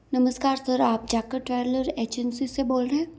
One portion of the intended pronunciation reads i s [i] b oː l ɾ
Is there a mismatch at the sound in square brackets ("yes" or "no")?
yes